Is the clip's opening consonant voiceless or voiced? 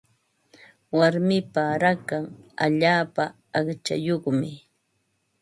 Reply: voiced